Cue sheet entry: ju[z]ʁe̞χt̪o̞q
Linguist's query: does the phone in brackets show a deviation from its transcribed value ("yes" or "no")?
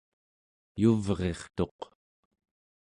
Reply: yes